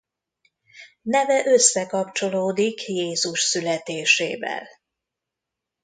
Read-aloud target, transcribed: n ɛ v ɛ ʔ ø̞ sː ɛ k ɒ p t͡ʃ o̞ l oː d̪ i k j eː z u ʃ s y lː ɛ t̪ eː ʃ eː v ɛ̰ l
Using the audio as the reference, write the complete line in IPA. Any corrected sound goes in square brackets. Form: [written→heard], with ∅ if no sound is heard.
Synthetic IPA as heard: n ɛ v ɛ ʔ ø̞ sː ɛ k ɒ p t͡ʃ o̞ l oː d̪ i k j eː z u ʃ s y [lː→l] ɛ t̪ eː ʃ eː v ɛ̰ l